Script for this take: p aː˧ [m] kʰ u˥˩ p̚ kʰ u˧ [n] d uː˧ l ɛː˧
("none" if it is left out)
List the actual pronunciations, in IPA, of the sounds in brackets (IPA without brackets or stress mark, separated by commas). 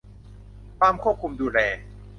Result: m, m